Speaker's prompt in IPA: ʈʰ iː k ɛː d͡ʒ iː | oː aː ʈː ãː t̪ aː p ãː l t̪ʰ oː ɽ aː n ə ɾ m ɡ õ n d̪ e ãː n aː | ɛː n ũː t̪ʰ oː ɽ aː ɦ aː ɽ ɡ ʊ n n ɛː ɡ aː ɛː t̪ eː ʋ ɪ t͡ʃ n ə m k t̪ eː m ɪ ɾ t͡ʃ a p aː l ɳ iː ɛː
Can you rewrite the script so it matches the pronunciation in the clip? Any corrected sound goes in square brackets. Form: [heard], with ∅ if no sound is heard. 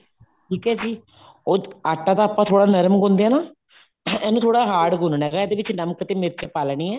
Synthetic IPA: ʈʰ iː k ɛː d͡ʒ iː | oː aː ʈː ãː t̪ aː p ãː [∅] t̪ʰ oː ɽ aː n ə ɾ m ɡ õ n d̪ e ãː n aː | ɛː n ũː t̪ʰ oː ɽ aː ɦ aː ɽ ɡ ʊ n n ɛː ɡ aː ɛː [d̪] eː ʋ ɪ t͡ʃ n ə m k t̪ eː m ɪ ɾ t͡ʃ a p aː l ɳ iː ɛː